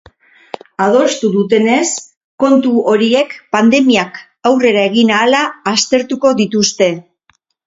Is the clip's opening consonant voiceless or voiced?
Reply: voiced